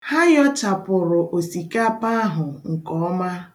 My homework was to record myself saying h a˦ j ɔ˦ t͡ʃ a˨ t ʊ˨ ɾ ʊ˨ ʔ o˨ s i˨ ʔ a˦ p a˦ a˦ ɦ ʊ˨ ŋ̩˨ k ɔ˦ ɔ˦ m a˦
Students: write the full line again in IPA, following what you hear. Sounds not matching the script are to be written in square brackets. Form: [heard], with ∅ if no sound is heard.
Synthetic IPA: h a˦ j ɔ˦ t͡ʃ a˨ [p] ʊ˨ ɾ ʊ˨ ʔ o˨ s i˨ [k] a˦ p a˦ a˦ ɦ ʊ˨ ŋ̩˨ k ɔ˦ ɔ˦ m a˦